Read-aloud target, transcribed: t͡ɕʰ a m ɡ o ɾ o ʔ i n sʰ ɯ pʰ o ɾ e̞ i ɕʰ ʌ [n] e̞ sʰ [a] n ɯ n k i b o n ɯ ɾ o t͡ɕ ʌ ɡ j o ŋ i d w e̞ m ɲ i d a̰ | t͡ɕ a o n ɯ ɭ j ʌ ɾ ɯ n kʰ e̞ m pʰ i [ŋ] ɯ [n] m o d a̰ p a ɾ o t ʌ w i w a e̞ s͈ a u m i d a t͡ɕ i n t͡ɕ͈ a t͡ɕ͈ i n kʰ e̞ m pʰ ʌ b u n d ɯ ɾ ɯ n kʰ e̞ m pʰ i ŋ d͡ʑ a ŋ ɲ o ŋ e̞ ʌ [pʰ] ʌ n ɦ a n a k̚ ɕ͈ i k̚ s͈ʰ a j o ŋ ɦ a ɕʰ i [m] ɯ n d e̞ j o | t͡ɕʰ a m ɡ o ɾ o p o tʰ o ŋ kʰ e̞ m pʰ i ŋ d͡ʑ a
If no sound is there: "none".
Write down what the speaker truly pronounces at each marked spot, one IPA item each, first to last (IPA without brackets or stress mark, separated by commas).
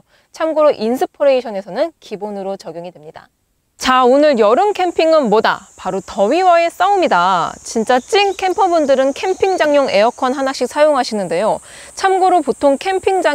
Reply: n, ʌ, ŋ, n, kʰ, n